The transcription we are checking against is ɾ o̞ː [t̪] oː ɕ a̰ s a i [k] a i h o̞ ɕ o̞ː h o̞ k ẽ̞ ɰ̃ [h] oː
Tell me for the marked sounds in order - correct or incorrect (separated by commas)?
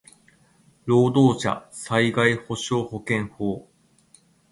incorrect, incorrect, correct